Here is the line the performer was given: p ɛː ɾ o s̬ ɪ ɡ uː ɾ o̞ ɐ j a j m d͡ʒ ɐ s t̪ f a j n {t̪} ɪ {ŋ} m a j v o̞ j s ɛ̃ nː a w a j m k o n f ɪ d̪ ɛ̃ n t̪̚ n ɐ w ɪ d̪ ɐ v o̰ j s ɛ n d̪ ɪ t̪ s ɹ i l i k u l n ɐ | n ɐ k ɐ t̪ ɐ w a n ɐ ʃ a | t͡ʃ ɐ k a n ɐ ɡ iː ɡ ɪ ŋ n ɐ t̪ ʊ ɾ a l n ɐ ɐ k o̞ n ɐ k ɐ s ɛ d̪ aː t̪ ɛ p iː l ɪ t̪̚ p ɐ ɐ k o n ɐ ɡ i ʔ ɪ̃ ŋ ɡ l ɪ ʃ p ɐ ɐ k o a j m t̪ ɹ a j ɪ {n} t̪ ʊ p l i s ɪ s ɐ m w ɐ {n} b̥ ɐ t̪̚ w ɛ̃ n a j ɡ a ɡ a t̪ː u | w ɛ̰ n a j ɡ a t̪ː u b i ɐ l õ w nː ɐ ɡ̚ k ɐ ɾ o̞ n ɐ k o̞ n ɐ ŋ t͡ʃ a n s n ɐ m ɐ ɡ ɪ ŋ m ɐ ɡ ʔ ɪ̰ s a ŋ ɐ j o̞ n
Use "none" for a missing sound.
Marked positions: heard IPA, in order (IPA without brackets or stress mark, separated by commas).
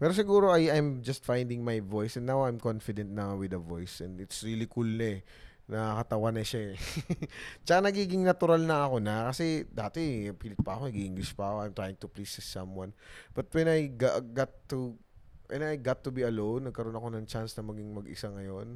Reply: d̪, ŋ, ŋ, n